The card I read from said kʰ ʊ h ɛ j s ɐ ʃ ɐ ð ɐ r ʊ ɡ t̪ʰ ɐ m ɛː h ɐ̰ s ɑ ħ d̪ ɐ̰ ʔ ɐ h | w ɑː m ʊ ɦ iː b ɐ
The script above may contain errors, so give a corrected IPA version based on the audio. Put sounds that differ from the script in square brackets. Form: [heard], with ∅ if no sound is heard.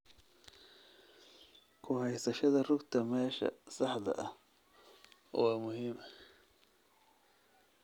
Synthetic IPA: kʰ ʊ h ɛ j s ɐ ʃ ɐ ð ɐ r ʊ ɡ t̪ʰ ɐ m ɛː [ʃ] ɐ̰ s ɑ ħ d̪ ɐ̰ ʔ ɐ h | w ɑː m ʊ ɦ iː [m] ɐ